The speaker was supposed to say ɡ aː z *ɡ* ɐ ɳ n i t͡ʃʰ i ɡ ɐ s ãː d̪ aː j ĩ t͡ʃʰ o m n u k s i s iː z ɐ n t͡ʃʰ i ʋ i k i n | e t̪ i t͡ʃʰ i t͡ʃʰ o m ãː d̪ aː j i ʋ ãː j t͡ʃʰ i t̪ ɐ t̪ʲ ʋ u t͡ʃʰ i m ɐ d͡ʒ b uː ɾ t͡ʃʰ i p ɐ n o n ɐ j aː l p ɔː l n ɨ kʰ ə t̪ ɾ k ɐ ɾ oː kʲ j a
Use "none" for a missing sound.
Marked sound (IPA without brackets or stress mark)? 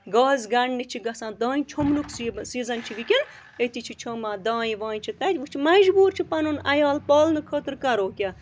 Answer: ɡ